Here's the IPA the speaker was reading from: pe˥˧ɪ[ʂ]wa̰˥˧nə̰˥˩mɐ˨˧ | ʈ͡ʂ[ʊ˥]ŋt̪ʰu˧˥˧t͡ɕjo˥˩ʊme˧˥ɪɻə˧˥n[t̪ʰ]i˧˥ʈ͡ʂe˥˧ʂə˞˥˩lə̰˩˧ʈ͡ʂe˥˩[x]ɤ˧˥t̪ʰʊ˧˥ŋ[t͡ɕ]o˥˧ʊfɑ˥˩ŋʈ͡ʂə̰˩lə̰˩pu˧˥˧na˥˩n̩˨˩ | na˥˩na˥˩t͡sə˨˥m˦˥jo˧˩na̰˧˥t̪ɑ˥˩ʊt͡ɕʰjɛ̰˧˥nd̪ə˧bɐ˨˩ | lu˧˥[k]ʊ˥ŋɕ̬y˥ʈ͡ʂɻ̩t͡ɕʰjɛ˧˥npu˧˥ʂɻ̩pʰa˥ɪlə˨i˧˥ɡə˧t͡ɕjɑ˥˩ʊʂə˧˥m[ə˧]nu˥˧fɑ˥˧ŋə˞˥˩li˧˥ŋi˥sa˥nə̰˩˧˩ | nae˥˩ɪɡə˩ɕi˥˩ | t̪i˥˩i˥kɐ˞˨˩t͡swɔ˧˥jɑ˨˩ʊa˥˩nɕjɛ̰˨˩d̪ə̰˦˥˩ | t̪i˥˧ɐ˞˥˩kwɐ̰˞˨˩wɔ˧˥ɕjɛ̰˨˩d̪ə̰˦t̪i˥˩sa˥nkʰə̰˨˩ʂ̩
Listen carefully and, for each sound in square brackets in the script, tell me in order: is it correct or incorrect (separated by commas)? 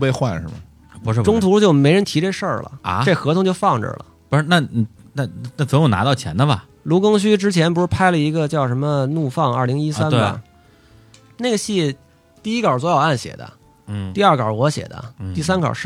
incorrect, correct, correct, correct, correct, correct, correct